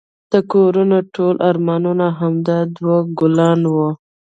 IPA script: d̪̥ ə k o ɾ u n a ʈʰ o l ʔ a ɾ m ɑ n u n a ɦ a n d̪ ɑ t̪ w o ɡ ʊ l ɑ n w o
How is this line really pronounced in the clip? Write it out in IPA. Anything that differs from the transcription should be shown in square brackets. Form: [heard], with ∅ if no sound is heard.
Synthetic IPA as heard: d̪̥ ə k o ɾ u n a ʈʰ o l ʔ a ɾ m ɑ n u n a ɦ a [m] d̪ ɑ [d̪] w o ɡ ʊ l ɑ n w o